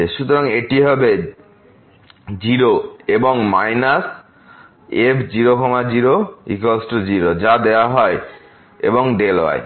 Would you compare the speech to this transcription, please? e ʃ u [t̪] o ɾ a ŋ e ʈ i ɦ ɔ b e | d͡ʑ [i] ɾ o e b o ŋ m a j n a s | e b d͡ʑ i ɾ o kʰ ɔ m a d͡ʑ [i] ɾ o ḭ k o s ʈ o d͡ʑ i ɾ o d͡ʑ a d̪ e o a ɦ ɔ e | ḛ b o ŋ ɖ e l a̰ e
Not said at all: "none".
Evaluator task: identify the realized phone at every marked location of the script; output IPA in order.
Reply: t̪, i, i

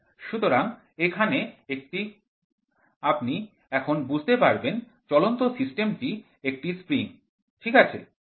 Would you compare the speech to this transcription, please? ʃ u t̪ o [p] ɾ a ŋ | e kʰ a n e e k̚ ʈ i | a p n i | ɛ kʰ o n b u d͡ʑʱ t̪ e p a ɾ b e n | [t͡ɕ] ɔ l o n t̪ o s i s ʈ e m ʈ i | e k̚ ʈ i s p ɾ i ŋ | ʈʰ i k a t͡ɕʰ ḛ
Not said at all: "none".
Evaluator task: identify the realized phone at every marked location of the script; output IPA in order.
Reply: none, t͡ɕ

